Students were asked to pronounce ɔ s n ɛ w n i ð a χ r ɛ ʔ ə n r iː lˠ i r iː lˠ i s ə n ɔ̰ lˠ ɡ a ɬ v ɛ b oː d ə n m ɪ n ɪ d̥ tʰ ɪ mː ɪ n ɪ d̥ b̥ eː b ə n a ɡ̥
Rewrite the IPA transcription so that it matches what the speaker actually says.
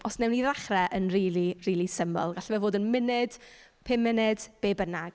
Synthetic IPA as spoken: ɔ s n ɛ w n i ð a χ r ɛ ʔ ə n r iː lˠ i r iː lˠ i s ə m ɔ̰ lˠ ɡ a ɬ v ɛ v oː d ə n m ɪ n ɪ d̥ pʰ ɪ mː ɪ n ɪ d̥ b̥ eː b ə n a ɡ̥